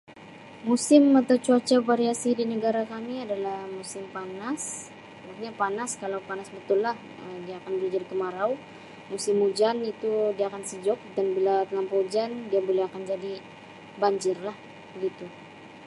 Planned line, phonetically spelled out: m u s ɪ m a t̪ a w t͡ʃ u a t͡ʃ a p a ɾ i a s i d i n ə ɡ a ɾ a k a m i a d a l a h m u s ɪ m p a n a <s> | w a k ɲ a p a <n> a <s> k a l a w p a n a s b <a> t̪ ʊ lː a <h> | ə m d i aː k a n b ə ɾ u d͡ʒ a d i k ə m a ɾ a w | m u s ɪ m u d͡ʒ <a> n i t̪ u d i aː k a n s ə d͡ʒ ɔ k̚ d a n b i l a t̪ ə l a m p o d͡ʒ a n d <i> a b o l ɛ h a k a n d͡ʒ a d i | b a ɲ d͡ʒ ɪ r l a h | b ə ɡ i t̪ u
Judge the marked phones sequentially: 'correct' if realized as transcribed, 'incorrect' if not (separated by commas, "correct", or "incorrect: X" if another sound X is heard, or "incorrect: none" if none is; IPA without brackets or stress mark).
correct, correct, correct, incorrect: ə, correct, correct, correct